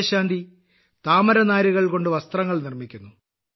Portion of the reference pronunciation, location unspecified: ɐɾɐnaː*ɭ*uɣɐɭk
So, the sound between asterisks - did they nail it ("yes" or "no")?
no